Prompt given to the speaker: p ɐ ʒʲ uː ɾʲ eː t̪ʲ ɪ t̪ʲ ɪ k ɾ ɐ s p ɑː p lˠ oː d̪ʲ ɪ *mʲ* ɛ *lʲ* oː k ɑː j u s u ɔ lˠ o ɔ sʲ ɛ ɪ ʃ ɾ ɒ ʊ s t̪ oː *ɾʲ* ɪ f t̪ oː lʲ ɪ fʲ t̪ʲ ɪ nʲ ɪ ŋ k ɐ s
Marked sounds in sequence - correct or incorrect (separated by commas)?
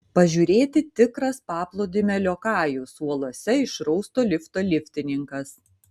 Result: correct, correct, incorrect